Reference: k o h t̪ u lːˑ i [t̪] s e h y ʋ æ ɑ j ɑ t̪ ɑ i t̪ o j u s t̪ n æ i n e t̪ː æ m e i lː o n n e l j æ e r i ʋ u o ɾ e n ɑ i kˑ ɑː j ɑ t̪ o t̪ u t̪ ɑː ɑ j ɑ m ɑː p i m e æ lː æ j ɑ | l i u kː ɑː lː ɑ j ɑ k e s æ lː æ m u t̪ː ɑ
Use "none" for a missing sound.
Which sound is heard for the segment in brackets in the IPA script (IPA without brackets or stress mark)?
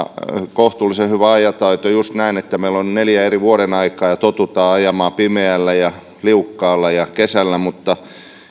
none